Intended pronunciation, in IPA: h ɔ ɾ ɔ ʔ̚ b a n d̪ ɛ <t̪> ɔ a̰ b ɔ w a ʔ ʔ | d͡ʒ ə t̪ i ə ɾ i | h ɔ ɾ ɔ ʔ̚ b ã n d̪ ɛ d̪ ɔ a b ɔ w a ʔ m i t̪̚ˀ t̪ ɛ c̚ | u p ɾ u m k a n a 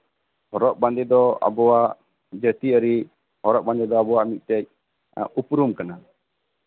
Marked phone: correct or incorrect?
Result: incorrect